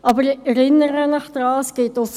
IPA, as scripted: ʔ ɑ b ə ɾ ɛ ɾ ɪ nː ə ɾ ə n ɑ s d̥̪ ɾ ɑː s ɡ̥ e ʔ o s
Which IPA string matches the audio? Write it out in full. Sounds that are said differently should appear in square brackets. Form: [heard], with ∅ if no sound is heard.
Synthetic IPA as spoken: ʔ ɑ b ə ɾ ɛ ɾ ɪ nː ə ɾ ə n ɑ [χ] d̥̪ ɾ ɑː s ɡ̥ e [t] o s